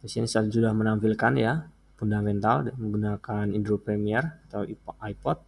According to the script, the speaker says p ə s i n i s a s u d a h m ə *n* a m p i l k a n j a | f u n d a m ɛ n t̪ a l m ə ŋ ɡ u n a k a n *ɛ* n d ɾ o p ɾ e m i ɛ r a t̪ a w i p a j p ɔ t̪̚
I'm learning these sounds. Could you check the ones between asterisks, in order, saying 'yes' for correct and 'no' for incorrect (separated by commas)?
yes, no